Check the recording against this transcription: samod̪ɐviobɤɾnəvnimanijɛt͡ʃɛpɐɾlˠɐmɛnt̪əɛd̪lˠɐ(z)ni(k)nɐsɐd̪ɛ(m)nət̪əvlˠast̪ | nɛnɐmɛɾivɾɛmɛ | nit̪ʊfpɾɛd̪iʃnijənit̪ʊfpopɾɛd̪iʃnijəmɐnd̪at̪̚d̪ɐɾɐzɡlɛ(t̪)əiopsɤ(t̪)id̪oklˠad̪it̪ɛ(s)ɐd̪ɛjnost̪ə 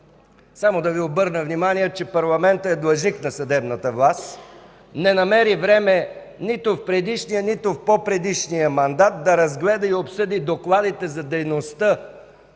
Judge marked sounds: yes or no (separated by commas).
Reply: no, yes, no, no, no, no